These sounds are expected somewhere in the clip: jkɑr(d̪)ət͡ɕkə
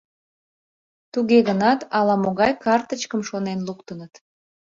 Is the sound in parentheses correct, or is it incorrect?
incorrect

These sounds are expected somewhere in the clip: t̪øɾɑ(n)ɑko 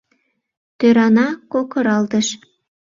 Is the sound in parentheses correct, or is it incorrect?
correct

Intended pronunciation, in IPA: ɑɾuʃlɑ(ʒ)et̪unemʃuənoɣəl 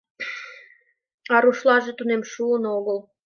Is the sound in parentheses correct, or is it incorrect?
correct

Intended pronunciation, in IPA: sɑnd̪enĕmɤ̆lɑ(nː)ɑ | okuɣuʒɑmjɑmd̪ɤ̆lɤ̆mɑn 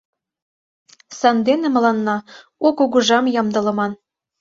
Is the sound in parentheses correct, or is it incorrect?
correct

